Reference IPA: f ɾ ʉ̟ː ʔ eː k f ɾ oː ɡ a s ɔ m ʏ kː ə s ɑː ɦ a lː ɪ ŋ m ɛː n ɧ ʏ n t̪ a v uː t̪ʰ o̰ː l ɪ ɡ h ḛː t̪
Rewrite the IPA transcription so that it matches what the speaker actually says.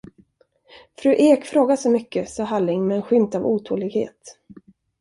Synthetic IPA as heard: f ɾ ʉ̟ː ʔ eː k f ɾ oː ɡ a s ɔ m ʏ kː ə s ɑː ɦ a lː ɪ ŋ m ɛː n ɧ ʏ m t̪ a v uː t̪ʰ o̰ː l ɪ ɡ h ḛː t̪